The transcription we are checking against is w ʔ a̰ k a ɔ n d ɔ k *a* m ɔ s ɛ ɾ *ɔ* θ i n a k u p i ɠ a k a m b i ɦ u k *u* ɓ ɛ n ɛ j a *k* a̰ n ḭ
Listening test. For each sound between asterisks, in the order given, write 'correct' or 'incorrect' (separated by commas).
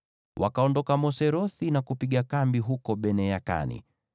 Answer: correct, correct, incorrect, correct